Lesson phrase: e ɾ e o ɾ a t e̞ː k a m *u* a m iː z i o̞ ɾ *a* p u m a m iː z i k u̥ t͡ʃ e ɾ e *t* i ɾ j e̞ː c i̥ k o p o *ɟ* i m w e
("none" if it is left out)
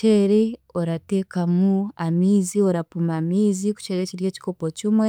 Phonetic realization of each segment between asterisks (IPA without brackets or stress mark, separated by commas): u, a, c, c